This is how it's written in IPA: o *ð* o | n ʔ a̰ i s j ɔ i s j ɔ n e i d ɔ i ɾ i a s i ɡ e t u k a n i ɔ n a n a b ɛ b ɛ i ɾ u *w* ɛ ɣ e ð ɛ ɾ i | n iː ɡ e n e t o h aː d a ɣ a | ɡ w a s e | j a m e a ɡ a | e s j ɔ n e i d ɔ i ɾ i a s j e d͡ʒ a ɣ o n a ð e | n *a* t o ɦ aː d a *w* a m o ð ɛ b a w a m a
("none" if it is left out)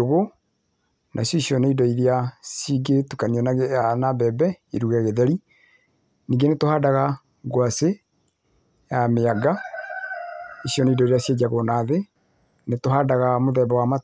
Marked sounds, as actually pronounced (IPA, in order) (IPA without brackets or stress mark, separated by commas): ɣ, ɣ, e, ɣ